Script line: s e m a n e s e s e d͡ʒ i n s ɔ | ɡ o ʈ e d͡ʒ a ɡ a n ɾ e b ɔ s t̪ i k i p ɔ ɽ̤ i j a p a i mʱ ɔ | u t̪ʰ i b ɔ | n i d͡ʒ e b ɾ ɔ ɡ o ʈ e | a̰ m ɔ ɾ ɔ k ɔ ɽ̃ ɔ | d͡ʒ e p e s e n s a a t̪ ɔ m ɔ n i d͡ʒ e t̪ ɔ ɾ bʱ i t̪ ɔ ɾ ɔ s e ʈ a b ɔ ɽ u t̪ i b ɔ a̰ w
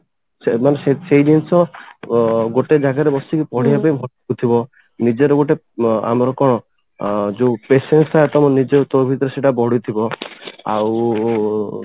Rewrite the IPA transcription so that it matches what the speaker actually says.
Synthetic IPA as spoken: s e m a n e s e s e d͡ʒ i n s ɔ | ɡ o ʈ e d͡ʒ a ɡ a ɾ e b ɔ s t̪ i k i p ɔ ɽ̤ i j a p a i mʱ ɔ | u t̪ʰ i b ɔ | n i d͡ʒ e ɾ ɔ ɡ o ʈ e | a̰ m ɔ ɾ ɔ k ɔ ɽ̃ ɔ | d͡ʒ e p e s e n s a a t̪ ɔ m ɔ n i d͡ʒ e t̪ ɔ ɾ bʱ i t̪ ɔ ɾ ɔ s e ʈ a b ɔ ɽ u t̪ʰ i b ɔ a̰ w